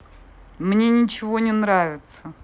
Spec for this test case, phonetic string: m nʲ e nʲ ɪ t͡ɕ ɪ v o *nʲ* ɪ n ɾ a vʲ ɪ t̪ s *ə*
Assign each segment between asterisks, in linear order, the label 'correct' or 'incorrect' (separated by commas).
correct, correct